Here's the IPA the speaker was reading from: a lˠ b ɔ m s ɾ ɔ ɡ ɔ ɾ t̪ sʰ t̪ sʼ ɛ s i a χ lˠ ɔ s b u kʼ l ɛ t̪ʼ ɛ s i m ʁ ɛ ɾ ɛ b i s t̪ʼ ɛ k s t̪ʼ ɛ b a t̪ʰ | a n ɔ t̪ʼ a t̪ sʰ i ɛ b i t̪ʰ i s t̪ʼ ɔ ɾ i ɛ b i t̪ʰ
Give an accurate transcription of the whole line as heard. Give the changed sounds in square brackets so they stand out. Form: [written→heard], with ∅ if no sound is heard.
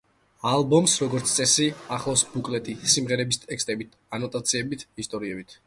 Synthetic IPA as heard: a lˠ b ɔ m s ɾ ɔ ɡ ɔ ɾ t̪ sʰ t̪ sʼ ɛ s i a χ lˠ ɔ s b u kʼ l ɛ t̪ʼ [ɛ→i] s i m ʁ ɛ ɾ ɛ b i s t̪ʼ ɛ k s t̪ʼ ɛ b [a→i] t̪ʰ | a n ɔ t̪ʼ a t̪ sʰ i ɛ b i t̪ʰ i s t̪ʼ ɔ ɾ i ɛ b i t̪ʰ